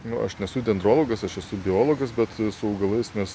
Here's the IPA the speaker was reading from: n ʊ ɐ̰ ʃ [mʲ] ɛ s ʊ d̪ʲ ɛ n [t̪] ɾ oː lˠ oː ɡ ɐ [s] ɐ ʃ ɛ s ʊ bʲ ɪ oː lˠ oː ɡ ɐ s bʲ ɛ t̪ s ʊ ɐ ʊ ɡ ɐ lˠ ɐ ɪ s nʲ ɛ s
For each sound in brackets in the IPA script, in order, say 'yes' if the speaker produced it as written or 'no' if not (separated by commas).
no, no, yes